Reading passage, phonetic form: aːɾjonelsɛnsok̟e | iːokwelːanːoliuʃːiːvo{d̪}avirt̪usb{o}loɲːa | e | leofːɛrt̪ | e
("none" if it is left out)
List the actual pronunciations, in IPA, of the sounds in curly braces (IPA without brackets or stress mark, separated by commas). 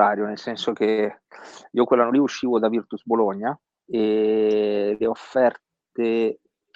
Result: d̪, o